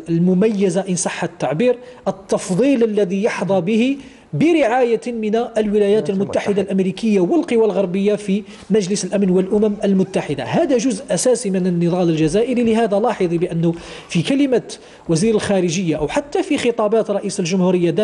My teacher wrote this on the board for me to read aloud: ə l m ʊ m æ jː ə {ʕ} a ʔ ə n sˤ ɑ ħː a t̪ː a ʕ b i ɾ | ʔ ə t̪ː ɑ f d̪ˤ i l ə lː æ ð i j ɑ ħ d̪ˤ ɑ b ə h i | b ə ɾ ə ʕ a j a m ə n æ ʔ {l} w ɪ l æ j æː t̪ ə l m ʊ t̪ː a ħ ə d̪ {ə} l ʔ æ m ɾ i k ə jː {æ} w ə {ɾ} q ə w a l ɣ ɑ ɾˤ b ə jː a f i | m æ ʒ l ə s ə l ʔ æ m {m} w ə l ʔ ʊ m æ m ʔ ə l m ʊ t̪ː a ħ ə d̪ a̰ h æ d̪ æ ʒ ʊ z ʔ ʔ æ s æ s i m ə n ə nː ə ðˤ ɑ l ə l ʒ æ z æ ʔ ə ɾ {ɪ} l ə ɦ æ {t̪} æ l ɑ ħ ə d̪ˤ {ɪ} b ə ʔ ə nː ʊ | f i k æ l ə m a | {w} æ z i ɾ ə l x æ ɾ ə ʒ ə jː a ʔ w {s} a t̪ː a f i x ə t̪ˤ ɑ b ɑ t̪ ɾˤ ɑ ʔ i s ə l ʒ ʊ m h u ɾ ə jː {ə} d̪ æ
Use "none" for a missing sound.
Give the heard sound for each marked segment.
z, l, a, a, l, n, i, d̪, i, w, ħ, a

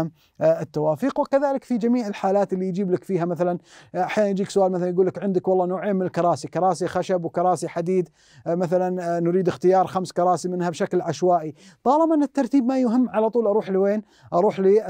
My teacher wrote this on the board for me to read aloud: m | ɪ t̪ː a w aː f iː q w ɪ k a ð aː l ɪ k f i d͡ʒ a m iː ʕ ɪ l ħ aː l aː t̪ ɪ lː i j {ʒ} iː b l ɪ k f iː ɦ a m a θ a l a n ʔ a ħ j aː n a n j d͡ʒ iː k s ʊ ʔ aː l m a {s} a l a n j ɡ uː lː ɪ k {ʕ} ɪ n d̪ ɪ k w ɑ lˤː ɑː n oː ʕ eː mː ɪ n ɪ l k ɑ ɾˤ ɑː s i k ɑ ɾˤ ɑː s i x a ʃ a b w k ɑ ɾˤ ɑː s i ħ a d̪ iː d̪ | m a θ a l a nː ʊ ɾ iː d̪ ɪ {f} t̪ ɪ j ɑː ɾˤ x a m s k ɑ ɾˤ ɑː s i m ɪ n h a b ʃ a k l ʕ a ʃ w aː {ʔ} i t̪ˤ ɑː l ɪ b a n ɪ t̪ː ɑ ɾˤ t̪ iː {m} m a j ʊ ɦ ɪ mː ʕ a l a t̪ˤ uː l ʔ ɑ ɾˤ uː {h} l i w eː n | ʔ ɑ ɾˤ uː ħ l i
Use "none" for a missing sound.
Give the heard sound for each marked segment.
d͡ʒ, θ, ʕ, x, ʔ, b, ħ

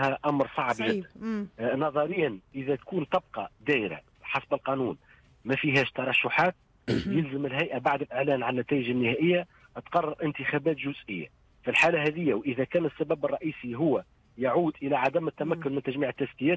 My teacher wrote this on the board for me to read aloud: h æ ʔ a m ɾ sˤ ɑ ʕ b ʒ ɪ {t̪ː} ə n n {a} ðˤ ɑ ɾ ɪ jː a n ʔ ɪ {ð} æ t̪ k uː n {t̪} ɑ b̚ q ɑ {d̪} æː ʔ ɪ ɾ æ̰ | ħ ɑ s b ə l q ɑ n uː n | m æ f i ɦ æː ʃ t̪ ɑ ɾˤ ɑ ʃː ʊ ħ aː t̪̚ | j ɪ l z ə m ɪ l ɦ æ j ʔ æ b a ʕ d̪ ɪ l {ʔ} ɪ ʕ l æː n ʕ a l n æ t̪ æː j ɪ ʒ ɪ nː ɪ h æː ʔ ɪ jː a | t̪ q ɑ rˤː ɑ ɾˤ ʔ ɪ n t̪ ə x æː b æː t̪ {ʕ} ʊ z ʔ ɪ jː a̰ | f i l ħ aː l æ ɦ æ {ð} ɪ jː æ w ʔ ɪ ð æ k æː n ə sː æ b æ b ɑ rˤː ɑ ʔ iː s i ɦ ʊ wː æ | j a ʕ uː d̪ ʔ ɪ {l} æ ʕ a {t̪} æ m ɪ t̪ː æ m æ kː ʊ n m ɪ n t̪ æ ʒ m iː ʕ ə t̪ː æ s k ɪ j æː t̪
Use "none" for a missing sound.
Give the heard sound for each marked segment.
d̪ː, ɑ, ð, t̪, d̪, ʔ, ʒ, ð, l, d̪

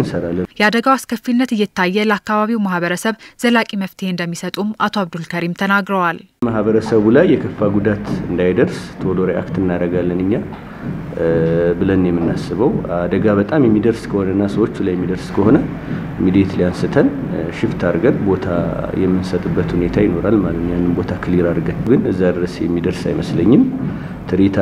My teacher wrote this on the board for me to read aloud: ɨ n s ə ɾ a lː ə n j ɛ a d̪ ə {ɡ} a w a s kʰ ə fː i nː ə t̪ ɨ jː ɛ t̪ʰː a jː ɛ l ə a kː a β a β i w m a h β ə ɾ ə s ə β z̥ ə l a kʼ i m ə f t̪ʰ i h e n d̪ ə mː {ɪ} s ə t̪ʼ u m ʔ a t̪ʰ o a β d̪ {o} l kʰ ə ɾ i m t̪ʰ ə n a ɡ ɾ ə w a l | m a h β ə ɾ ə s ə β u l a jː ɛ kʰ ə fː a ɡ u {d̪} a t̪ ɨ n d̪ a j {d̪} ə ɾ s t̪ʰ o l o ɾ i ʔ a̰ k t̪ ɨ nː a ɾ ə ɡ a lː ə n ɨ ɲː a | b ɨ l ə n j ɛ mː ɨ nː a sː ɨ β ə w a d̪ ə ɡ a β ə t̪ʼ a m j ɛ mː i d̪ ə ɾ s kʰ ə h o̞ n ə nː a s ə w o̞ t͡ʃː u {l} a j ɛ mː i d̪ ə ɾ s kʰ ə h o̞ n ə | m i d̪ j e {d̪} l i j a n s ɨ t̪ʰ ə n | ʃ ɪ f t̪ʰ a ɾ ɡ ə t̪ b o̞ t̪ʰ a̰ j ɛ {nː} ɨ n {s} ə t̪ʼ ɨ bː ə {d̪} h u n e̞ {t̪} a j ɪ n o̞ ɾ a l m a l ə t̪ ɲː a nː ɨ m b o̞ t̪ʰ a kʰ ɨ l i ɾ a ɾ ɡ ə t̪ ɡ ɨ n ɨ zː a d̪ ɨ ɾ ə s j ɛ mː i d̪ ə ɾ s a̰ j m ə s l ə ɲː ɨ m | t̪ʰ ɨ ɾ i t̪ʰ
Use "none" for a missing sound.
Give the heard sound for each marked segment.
ɡ, i, u, d̪, d̪, l, t̪, mː, s, t̪, t̪ʰ

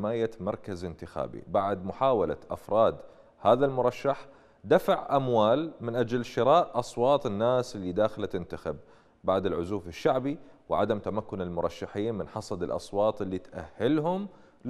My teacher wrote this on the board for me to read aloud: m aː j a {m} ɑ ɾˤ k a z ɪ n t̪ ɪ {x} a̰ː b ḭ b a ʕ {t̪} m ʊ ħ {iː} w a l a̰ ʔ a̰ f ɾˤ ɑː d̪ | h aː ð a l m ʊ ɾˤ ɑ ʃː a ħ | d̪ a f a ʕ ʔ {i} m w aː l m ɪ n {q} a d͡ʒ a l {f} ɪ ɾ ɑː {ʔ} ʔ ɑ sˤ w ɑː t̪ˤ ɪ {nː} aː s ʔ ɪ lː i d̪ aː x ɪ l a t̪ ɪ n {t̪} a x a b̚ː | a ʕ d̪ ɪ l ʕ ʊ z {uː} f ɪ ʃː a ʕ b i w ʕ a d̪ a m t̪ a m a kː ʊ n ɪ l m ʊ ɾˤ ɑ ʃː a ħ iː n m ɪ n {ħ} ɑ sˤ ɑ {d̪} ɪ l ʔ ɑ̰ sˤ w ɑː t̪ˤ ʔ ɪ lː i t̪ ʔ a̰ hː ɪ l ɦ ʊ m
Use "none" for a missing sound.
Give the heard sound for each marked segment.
m, x, d̪, aː, a, ʔ, ʃ, ʔ, nː, t̪, uː, ħ, d̪

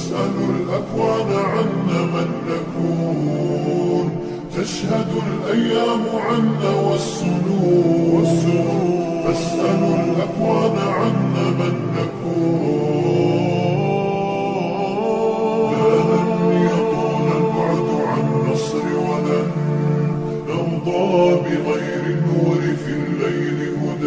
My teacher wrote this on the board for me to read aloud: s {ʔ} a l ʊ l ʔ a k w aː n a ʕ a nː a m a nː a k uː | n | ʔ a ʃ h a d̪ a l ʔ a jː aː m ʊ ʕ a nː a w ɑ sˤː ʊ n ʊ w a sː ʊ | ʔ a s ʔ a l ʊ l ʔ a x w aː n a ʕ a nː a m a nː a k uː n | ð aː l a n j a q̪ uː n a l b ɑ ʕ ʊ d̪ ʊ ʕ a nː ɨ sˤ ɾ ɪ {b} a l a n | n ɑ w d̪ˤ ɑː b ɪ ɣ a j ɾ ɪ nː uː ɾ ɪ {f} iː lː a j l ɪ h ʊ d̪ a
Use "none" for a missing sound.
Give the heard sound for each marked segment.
ʔ, w, f

